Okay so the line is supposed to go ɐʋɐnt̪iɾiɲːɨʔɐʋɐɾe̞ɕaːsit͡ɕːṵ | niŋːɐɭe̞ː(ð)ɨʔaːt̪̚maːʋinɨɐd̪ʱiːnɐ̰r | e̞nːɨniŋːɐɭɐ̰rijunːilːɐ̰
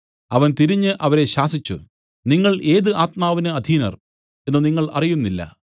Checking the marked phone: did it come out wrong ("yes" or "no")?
no